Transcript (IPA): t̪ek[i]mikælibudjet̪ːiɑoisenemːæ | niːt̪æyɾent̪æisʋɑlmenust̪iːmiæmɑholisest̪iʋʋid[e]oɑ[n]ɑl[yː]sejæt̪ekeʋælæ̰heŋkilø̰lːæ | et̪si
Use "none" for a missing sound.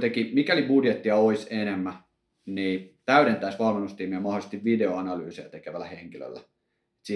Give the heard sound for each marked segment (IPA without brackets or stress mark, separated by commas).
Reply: i, e, n, yː